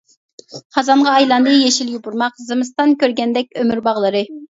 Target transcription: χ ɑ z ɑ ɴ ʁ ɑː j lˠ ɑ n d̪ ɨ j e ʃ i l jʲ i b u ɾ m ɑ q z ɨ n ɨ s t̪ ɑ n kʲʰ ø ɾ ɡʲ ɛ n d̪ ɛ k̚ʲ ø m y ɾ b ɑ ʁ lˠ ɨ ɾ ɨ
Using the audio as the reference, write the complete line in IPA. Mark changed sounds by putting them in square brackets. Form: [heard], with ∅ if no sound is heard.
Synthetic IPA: χ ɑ z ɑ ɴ ʁ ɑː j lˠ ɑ n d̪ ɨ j e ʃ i l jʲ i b u ɾ m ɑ q z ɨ [m] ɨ s t̪ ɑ n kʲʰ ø ɾ ɡʲ ɛ n d̪ ɛ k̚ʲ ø m y ɾ b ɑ ʁ lˠ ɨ ɾ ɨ